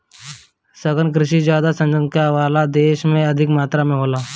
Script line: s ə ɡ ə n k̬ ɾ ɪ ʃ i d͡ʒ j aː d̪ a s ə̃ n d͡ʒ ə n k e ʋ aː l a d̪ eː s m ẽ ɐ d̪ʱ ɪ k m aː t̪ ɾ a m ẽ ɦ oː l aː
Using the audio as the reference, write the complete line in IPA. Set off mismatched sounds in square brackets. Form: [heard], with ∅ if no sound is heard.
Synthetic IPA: s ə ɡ ə n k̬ ɾ ɪ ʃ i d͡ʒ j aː d̪ a s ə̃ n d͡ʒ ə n k [a] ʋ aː l a d̪ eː [ʃ] m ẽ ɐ d̪ʱ ɪ k m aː t̪ ɾ a m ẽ ɦ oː l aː